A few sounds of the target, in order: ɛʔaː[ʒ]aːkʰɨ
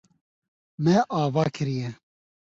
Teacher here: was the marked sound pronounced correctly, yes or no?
no